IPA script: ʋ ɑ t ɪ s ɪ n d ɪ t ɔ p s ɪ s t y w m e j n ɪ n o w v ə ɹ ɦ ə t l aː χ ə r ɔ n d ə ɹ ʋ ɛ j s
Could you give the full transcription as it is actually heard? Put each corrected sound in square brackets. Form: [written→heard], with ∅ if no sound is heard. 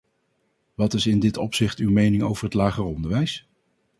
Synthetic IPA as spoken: ʋ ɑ t ɪ s ɪ n d ɪ t ɔ p s ɪ [s→χ] t y w m e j n ɪ [n→ŋ] o w v ə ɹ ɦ ə t l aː χ ə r ɔ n d ə ɹ ʋ ɛ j s